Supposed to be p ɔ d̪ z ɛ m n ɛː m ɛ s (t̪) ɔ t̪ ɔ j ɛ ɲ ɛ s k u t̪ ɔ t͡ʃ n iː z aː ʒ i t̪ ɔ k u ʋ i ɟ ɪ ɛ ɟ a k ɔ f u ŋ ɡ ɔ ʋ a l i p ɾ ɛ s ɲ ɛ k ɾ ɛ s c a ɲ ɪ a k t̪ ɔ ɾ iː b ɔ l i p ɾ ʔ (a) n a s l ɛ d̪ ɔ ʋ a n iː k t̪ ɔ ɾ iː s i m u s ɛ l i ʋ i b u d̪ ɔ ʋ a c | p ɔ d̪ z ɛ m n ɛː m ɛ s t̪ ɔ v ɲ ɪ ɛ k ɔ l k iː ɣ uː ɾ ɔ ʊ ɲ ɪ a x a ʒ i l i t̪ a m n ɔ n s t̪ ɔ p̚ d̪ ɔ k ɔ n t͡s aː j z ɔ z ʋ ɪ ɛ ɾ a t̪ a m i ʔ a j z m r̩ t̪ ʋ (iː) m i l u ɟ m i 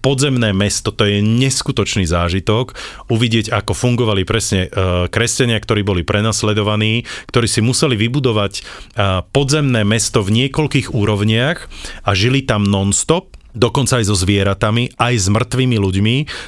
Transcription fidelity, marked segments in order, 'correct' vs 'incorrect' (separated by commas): correct, incorrect, correct